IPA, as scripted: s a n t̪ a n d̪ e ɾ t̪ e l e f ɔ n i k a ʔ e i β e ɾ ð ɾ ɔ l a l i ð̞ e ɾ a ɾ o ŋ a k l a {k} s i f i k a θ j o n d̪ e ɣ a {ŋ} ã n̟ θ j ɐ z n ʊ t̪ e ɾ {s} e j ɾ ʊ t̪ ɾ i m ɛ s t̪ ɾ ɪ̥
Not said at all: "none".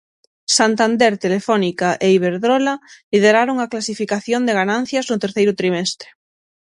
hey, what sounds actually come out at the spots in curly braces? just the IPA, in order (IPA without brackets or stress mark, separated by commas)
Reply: none, n, θ